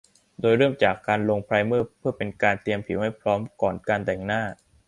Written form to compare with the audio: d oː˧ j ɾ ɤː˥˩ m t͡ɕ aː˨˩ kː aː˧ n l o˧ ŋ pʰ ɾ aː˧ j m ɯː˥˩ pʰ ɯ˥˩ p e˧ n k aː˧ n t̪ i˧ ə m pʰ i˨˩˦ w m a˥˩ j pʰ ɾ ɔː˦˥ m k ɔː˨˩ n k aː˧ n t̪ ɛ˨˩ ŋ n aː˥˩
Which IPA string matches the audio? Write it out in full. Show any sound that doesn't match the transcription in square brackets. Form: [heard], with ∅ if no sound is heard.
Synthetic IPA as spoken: d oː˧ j ɾ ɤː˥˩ m t͡ɕ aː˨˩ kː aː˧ n l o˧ ŋ pʰ ɾ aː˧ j m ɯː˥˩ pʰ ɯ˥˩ p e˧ n k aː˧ n t̪ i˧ ə m pʰ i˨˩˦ w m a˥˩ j pʰ ɾ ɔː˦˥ m k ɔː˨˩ n k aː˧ n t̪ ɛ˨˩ ŋ n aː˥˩